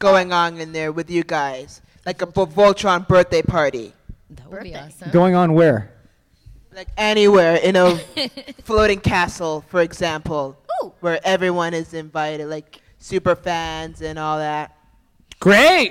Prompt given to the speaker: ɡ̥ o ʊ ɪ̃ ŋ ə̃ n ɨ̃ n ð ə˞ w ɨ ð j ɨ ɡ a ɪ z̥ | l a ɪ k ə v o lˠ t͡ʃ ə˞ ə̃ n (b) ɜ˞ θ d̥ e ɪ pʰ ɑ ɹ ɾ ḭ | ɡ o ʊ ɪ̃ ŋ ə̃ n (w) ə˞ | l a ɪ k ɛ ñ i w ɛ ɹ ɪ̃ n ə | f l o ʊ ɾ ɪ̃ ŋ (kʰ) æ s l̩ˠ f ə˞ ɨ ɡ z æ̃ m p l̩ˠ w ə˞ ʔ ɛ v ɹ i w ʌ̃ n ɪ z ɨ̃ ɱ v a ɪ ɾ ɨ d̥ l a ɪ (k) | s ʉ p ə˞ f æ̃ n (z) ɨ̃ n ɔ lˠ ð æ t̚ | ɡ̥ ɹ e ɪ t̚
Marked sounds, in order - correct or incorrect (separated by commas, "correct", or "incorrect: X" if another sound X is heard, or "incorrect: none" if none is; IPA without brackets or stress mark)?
correct, correct, correct, correct, correct